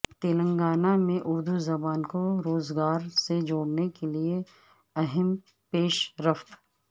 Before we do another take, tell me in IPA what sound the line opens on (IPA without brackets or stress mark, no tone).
t̪